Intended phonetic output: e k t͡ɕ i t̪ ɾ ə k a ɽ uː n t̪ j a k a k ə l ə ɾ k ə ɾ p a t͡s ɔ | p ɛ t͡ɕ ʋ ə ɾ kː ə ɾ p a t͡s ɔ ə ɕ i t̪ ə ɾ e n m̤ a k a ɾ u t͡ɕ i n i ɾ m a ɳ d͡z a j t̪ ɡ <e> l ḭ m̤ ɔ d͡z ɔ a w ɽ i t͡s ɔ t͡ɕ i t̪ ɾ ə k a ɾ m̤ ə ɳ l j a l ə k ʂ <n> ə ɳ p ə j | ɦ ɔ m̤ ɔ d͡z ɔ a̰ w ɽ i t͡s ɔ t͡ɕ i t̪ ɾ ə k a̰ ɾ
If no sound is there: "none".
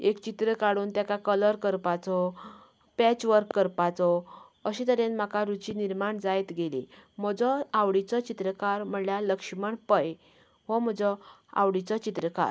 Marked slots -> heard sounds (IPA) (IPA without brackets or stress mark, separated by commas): e, m